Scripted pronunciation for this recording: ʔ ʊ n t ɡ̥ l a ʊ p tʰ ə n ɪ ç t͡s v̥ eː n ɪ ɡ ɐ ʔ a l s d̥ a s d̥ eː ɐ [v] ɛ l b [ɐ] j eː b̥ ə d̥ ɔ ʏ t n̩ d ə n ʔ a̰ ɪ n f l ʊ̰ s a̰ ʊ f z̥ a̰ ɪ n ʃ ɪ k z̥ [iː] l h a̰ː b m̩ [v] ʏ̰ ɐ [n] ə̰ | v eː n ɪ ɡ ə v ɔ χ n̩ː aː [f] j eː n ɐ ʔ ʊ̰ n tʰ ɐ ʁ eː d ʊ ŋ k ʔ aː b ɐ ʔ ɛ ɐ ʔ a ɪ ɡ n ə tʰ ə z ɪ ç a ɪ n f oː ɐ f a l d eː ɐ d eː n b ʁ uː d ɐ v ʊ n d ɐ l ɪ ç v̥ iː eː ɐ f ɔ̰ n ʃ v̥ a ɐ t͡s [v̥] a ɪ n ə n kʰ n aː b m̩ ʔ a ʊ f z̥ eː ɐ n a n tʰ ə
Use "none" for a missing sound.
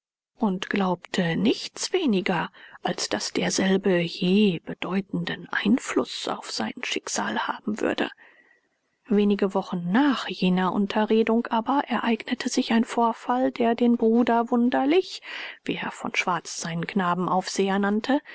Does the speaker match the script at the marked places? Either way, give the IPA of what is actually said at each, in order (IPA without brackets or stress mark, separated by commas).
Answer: z, ə, aː, v, d, χ, z̥